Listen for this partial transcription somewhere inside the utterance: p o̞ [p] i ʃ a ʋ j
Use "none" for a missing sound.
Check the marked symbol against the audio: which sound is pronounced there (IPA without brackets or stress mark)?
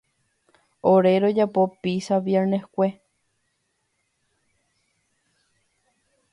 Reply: p